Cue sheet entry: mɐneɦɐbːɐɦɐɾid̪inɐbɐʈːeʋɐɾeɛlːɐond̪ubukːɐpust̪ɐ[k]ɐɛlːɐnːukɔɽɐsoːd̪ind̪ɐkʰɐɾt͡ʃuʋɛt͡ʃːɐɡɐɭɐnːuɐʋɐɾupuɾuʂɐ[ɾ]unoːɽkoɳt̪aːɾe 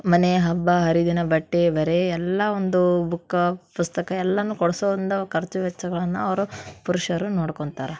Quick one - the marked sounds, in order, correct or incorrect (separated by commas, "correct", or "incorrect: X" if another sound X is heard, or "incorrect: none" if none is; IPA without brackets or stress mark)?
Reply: correct, correct